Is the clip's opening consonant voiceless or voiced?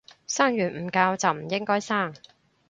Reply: voiceless